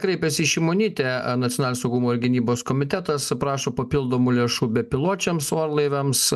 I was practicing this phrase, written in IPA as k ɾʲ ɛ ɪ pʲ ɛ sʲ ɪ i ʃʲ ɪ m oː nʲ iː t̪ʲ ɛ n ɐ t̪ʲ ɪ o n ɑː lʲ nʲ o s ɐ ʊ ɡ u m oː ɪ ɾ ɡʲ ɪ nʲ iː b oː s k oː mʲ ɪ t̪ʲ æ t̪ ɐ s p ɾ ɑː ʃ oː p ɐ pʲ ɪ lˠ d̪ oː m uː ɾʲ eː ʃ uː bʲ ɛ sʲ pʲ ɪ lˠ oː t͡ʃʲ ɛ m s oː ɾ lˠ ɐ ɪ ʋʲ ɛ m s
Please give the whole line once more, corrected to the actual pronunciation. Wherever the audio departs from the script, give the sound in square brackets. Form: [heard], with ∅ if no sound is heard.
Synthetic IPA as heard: k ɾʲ ɛ ɪ pʲ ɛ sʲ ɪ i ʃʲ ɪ m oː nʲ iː t̪ʲ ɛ n ɐ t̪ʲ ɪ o n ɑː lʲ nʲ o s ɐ ʊ ɡ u m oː ɪ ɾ ɡʲ ɪ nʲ iː b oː s k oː mʲ ɪ t̪ʲ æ t̪ ɐ s p ɾ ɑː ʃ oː p ɐ pʲ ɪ lˠ d̪ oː m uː [lʲ] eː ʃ uː bʲ ɛ [∅] pʲ ɪ lˠ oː t͡ʃʲ ɛ m s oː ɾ lˠ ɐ ɪ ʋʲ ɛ m s